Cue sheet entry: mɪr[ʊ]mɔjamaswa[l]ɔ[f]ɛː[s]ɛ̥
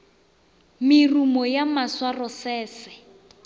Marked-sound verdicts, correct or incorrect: incorrect: u, incorrect: r, incorrect: s, correct

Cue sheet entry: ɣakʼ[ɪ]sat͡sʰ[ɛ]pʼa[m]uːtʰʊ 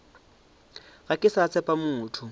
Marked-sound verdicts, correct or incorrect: correct, correct, correct

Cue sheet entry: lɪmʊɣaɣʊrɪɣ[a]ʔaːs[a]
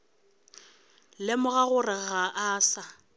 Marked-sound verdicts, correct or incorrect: correct, correct

